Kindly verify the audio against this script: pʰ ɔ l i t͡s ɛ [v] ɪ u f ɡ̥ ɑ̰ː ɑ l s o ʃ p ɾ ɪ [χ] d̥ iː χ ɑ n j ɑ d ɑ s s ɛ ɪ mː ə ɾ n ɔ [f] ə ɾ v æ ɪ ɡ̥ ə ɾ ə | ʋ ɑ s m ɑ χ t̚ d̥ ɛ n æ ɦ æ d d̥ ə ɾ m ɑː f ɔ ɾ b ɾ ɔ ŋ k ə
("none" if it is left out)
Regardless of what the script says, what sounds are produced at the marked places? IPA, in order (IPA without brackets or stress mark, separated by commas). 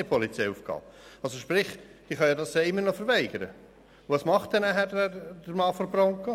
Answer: none, χ, f